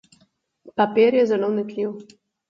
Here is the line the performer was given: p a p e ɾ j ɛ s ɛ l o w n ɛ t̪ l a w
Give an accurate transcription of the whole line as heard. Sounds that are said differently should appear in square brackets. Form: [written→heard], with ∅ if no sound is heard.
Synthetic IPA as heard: p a p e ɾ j ɛ [s→z] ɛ l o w n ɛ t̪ l [a→i] w